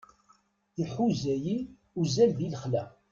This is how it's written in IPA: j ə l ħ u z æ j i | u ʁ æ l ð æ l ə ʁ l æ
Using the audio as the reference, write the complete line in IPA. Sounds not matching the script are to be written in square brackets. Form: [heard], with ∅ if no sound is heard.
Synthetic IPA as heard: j ə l ħ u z æ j i | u [z] æ l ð [i] l ə [χ] l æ